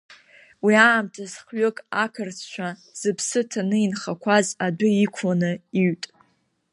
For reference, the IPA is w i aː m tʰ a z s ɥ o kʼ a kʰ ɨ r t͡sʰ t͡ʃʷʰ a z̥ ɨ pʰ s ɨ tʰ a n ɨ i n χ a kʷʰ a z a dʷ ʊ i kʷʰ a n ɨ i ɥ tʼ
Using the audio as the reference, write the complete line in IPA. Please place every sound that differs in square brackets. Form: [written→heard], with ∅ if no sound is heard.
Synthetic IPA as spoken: w i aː m tʰ a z [s→χ] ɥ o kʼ a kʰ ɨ r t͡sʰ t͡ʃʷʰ a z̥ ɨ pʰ s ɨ tʰ a n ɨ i n χ a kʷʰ a z a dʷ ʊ i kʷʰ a n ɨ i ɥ tʼ